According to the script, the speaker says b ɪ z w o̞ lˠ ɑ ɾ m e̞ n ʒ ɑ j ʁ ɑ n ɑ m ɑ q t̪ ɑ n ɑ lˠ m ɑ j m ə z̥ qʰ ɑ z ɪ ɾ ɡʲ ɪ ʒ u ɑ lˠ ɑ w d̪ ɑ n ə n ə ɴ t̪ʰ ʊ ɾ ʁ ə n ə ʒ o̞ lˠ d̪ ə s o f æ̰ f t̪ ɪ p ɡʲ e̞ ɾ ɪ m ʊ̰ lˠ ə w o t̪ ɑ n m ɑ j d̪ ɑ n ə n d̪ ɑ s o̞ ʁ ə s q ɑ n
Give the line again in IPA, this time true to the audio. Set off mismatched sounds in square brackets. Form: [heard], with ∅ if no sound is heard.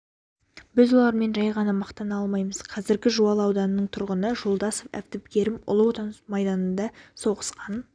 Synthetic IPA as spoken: b ɪ z w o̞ lˠ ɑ ɾ m e̞ n ʒ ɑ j ʁ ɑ n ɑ m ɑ q t̪ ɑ n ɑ lˠ m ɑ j m ə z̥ qʰ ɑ z ɪ ɾ ɡʲ ɪ ʒ u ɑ lˠ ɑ w d̪ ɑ n ə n ə ɴ t̪ʰ ʊ ɾ ʁ ə n ə ʒ o̞ lˠ d̪ [ɑ] s o f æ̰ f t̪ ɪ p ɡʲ e̞ ɾ ɪ m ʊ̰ lˠ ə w o t̪ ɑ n m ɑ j d̪ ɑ n ə n d̪ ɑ s o̞ ʁ ə s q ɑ n